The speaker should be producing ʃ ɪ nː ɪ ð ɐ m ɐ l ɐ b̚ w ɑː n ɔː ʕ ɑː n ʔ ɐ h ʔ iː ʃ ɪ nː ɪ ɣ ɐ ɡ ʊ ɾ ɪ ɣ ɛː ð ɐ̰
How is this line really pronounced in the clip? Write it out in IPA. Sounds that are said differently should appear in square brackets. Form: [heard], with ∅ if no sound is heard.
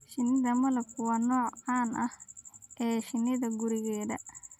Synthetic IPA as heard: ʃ ɪ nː ɪ ð ɐ m ɐ l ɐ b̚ w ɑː n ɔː ʕ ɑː n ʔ ɐ h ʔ [ɛː] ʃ ɪ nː ɪ [ð] ɐ ɡ ʊ ɾ ɪ ɣ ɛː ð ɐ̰